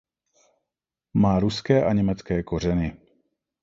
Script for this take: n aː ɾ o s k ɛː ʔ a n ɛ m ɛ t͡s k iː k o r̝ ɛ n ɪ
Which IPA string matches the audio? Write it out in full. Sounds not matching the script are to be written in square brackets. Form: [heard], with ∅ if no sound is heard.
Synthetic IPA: [m] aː ɾ [u] s k ɛː ʔ a [ɲ] ɛ m ɛ t͡s k [ɛː] k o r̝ ɛ n ɪ